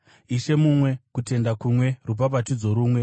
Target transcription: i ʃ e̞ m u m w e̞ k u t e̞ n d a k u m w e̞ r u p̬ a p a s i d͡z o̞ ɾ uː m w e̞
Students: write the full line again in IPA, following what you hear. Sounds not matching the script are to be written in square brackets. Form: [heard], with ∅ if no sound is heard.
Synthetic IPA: i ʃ e̞ m u m w e̞ k u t e̞ n d a k u m w e̞ r u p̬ a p a [t] i d͡z o̞ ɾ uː m w e̞